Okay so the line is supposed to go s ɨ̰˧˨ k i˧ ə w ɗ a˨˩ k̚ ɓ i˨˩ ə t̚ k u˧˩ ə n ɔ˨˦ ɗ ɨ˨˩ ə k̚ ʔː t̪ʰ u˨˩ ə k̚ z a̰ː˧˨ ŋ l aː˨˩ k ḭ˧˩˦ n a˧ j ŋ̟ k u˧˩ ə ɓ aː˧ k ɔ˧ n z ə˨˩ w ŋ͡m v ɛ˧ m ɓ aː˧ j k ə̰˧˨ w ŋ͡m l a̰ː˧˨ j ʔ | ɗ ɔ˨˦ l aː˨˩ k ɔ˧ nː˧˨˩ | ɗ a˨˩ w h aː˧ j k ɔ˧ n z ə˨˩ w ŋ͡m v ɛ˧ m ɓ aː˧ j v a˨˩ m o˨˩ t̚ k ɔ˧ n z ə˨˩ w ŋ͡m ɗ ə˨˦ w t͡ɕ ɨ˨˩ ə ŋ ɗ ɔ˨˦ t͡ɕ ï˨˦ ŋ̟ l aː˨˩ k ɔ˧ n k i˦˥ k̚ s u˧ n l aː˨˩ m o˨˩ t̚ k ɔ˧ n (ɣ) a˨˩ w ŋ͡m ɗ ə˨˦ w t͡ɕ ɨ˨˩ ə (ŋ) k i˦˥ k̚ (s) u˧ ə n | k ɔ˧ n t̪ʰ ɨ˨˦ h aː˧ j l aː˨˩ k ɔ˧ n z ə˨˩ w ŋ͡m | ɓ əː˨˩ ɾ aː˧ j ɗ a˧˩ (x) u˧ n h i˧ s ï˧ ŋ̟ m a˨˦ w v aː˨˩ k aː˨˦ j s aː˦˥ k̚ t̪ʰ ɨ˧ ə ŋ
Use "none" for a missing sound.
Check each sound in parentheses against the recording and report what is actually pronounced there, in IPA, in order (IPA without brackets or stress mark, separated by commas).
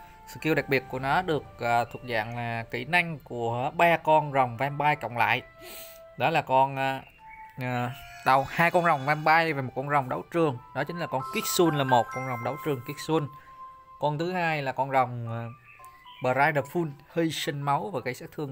z, ŋ, s, f